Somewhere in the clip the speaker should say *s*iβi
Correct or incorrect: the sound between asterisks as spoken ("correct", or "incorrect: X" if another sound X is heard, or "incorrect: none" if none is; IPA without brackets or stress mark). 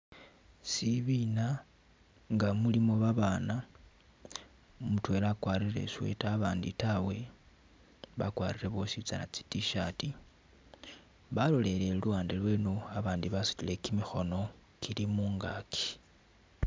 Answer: correct